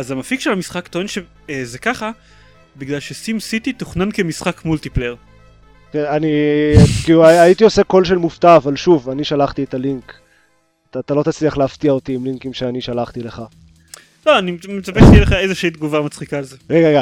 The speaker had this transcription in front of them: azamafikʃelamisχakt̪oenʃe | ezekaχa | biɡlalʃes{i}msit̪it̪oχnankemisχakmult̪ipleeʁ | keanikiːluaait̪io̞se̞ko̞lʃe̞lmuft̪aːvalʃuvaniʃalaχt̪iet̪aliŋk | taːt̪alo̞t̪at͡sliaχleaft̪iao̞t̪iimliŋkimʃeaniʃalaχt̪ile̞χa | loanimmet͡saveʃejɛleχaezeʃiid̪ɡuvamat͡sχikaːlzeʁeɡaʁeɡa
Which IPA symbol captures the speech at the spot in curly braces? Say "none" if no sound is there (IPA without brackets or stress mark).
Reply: i